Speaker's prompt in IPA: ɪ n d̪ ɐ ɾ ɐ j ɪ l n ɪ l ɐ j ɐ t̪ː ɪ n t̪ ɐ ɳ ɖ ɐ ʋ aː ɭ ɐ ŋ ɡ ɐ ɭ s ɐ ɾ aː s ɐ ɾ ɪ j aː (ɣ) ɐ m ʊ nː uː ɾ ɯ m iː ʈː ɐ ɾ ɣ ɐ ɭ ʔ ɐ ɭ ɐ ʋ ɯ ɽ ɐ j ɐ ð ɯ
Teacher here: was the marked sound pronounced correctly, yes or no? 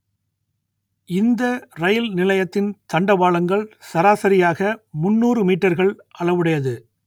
yes